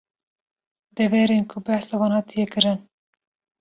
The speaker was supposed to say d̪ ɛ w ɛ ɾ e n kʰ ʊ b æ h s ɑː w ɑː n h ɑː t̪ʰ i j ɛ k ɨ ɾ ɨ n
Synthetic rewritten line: d̪ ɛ v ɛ ɾ e n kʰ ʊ b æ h s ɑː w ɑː n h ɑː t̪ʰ i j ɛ k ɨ ɾ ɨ n